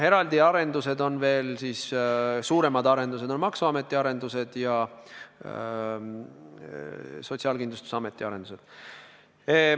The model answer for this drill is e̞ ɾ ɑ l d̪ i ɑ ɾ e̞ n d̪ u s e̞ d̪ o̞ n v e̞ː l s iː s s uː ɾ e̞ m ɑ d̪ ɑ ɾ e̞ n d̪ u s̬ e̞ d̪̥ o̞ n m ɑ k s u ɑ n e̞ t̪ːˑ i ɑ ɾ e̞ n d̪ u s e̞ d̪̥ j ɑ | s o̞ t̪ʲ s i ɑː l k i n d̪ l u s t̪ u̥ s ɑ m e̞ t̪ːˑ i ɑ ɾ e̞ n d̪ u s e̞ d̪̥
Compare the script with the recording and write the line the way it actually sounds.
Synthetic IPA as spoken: e̞ ɾ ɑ l d̪ i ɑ ɾ e̞ n d̪ u s e̞ d̪ o̞ n v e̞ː l s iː s s uː ɾ e̞ m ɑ d̪ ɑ ɾ e̞ n d̪ u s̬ e̞ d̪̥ o̞ n m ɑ k s u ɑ m e̞ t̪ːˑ i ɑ ɾ e̞ n d̪ u s e̞ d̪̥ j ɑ | s o̞ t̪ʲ s i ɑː l k i n d̪ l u s t̪ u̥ s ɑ m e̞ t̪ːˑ i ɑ ɾ e̞ n d̪ u s e̞ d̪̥